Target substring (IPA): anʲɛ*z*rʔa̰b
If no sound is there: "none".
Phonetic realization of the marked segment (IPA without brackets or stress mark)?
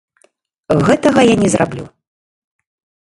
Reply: z